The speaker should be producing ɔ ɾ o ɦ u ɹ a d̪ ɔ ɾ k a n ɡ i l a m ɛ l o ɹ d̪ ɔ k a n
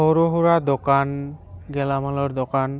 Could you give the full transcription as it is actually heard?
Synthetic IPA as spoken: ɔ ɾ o ɦ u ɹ a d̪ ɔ k a n ɡ ɛ l a m a l ɔ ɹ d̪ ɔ k a n